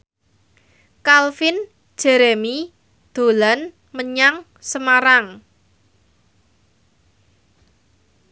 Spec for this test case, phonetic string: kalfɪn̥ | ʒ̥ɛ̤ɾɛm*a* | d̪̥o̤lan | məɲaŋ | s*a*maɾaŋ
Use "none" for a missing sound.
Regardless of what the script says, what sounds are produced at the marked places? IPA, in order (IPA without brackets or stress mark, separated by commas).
i, ə